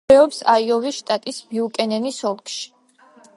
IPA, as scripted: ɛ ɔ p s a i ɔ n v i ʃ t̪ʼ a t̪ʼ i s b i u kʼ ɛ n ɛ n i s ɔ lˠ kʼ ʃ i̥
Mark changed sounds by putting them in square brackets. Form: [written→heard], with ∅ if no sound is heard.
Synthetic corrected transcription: ɛ ɔ p s a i ɔ [n→∅] v i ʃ t̪ʼ a t̪ʼ i s b i u kʼ ɛ n ɛ n i s ɔ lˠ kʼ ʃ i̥